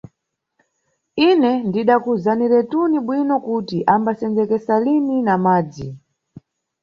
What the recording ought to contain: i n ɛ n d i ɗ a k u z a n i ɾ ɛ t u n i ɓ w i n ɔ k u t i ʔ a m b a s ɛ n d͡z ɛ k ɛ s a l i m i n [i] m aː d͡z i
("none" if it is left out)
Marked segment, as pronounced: a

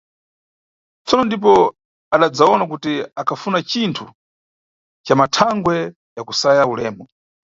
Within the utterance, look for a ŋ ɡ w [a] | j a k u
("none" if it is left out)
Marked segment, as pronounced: ɛ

